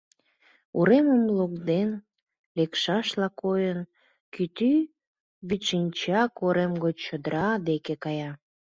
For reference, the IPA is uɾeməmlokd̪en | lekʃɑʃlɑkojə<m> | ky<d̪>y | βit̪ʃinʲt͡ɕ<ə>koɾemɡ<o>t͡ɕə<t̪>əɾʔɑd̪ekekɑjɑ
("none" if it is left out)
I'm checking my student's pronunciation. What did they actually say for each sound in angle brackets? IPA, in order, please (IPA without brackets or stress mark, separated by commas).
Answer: n, t̪, ɑ, o, d̪